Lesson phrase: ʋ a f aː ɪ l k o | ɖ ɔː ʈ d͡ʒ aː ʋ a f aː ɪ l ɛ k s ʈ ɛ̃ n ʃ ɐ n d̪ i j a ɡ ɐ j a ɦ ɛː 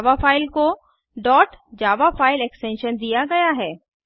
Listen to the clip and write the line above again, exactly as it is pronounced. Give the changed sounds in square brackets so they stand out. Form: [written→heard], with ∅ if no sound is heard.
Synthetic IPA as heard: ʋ a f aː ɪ l k o | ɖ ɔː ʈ d͡ʒ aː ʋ a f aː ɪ l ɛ k s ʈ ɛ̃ n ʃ [ɐ→ə] n d̪ i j a ɡ ɐ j a ɦ ɛː